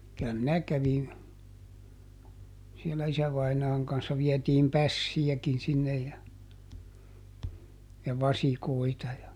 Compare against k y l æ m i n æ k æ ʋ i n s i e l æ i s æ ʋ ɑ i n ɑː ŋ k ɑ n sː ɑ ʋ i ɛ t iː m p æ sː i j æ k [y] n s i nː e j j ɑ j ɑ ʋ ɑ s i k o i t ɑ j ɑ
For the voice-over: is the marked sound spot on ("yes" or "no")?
no